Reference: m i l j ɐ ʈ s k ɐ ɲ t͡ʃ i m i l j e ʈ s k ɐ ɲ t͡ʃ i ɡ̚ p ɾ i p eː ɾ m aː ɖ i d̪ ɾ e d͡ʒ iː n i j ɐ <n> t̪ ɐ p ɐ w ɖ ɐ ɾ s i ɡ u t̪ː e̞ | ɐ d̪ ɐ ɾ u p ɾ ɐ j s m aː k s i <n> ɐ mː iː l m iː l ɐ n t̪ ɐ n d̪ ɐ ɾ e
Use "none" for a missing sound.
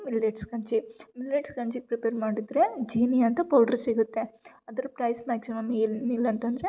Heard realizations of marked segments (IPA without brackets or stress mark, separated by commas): n, m